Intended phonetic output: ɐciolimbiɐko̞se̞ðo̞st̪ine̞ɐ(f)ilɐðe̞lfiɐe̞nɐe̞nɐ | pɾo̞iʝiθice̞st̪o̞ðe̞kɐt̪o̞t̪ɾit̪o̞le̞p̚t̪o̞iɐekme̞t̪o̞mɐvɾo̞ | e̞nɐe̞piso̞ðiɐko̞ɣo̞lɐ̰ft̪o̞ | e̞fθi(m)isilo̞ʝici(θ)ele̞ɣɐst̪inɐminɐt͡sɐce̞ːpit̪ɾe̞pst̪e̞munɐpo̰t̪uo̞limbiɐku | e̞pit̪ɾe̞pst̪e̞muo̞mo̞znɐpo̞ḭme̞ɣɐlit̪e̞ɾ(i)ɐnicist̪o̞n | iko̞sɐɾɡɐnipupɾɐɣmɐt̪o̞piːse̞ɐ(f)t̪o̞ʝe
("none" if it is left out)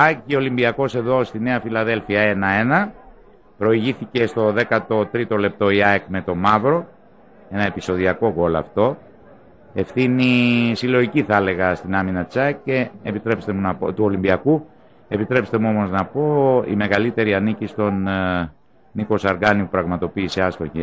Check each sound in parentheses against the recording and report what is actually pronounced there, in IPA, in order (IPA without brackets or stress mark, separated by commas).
f, n, θ, i, s